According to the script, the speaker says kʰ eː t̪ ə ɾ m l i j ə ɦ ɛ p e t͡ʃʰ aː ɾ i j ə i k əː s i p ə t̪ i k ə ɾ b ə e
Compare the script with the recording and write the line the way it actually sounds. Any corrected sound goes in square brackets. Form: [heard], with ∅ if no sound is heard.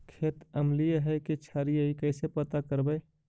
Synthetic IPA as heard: kʰ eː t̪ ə [∅] m l i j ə ɦ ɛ [k] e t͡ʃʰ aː ɾ i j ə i k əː s [e] p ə t̪ [a] k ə ɾ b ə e